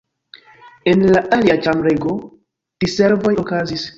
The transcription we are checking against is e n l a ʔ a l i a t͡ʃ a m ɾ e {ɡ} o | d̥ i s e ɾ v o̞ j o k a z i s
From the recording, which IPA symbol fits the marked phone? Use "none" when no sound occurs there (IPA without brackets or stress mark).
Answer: ɡ